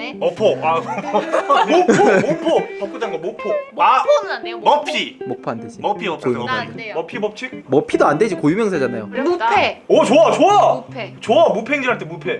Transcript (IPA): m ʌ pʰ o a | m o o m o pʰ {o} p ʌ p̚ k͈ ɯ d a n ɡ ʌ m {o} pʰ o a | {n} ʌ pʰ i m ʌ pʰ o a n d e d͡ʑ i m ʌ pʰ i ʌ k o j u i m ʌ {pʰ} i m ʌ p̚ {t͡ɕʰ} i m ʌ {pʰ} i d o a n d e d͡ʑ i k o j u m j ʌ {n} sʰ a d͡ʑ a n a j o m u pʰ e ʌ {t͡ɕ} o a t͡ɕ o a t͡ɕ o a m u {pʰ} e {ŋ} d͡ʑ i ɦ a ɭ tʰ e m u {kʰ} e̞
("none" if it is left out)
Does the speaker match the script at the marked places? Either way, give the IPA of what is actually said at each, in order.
o, o, m, pʰ, t͡ɕʰ, pʰ, ŋ, t͡ɕ, pʰ, ŋ, pʰ

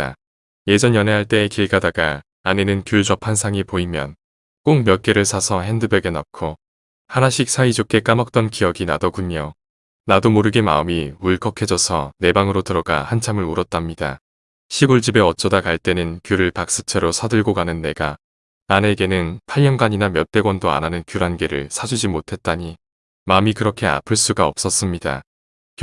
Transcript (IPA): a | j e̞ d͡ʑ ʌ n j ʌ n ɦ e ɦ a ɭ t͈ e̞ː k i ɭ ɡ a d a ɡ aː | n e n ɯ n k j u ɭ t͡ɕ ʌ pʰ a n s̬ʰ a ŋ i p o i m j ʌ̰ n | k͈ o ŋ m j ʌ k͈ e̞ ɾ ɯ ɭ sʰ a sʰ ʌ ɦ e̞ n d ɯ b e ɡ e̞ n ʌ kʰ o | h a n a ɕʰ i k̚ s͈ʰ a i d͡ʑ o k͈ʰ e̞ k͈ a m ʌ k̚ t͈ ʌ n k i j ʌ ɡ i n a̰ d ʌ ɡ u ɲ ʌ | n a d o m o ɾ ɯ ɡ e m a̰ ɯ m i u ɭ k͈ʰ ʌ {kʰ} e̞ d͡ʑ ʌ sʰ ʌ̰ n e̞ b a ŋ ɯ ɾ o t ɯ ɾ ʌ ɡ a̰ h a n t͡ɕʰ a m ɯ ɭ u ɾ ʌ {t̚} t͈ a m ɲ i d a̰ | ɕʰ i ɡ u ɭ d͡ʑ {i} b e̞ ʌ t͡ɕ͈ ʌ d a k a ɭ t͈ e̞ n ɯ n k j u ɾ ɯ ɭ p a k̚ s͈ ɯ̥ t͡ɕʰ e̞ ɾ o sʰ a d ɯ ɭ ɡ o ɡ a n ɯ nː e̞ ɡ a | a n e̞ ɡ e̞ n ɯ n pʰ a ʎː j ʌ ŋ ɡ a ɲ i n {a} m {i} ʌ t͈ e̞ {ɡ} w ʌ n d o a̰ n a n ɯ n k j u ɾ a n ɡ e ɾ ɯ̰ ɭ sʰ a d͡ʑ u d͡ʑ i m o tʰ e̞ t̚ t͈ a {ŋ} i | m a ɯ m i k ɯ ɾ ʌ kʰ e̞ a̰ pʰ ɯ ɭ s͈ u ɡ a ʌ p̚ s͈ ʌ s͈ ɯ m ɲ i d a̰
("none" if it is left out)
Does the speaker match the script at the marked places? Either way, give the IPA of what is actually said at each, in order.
kʰ, t̚, i, a, j, ɡ, ɲ

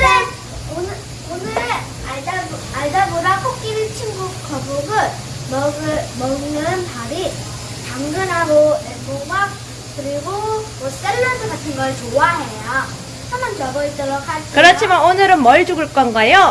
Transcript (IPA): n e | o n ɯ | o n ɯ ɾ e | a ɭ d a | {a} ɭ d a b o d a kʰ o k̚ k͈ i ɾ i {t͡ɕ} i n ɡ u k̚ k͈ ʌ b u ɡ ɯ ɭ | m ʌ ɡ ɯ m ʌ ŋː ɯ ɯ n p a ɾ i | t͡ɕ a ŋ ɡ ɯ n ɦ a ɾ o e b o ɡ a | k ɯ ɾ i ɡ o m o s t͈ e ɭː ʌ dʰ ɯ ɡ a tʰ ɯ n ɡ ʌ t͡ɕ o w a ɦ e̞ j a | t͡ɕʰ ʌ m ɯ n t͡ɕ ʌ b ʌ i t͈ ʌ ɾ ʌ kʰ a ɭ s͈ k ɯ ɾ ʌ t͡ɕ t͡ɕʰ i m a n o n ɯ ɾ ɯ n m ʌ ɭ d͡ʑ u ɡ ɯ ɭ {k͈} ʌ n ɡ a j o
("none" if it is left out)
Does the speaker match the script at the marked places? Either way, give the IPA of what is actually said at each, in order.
a, t͡ɕʰ, k͈

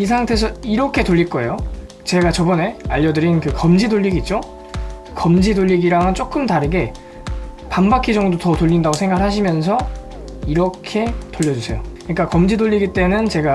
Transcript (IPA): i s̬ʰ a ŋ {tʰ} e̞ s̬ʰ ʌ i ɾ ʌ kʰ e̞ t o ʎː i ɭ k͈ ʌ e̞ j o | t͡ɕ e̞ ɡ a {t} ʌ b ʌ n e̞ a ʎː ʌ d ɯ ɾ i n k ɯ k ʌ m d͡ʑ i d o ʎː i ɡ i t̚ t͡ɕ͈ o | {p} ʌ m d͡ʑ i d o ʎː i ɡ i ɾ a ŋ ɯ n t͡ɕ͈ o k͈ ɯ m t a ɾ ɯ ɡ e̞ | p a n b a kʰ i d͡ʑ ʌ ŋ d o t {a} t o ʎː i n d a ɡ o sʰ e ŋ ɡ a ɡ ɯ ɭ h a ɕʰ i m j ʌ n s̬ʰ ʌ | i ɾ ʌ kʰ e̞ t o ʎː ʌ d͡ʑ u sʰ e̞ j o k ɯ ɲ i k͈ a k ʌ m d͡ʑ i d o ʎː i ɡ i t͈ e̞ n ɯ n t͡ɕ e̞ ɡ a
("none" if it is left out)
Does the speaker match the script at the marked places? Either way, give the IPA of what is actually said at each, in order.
tʰ, t͡ɕ, k, ʌ

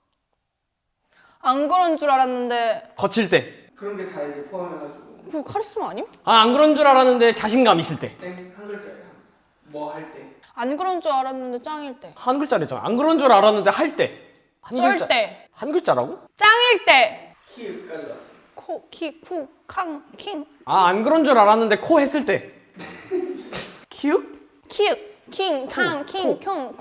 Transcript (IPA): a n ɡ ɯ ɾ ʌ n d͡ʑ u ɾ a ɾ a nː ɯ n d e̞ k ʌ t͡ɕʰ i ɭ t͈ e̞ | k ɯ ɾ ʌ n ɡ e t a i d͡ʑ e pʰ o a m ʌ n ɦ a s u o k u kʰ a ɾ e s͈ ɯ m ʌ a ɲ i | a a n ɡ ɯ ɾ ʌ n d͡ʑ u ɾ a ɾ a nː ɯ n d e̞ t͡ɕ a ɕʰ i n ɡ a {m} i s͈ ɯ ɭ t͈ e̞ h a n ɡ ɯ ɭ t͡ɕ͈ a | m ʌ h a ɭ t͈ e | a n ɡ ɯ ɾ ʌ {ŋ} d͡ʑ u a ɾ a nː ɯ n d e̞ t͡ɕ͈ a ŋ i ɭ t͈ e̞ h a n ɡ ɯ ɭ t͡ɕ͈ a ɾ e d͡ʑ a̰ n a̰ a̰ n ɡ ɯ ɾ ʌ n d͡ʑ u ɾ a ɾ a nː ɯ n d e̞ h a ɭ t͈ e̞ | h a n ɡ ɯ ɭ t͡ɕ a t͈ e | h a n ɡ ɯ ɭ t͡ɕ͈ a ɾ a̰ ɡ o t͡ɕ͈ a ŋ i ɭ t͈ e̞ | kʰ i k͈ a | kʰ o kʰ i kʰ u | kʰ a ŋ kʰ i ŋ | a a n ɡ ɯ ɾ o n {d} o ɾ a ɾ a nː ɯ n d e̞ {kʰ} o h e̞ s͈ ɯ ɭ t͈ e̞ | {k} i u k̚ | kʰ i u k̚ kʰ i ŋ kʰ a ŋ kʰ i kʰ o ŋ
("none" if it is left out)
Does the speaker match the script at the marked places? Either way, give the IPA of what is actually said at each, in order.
m, n, d͡ʑ, kʰ, kʰ

